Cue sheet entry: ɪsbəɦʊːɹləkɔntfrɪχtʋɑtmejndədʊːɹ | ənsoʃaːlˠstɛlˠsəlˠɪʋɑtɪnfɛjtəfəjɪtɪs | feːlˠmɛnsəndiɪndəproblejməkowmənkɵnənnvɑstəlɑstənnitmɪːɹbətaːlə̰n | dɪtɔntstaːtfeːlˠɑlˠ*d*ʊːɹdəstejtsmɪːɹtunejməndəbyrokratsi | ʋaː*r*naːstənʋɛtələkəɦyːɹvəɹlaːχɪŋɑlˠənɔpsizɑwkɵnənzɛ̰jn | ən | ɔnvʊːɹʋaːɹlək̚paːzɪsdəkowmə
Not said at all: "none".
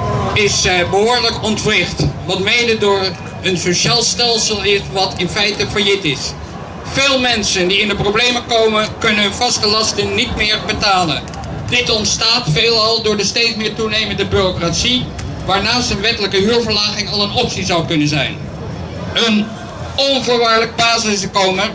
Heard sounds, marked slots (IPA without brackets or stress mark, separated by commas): d, ɹ